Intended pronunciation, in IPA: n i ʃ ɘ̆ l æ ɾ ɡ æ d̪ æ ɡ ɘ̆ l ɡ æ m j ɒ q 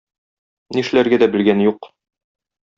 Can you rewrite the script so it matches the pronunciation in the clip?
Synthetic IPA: n i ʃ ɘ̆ l æ ɾ ɡ æ d̪ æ b ɘ̆ l ɡ æ n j u q